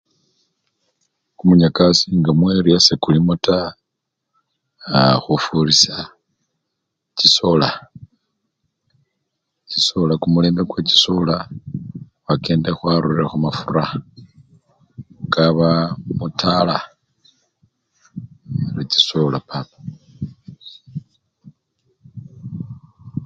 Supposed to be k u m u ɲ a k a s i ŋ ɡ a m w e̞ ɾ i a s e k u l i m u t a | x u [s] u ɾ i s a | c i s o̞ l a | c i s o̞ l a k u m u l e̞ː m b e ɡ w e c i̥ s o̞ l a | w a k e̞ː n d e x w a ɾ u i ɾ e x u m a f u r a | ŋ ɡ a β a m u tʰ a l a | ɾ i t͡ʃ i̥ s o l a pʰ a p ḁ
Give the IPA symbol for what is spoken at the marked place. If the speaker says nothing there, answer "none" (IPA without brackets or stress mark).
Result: f